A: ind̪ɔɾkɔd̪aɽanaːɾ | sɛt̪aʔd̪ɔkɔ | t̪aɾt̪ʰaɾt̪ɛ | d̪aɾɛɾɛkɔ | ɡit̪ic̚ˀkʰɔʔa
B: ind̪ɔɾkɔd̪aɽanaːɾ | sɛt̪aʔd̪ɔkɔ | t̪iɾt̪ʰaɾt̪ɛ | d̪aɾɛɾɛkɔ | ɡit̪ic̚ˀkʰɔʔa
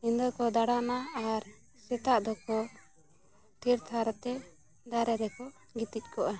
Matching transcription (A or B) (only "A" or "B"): B